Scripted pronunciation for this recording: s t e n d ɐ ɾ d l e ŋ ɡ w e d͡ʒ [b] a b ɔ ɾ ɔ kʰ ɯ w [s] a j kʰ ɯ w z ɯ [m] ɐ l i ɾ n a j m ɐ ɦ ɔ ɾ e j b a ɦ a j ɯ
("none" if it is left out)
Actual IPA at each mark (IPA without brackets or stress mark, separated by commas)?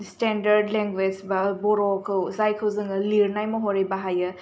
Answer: b, z, ŋ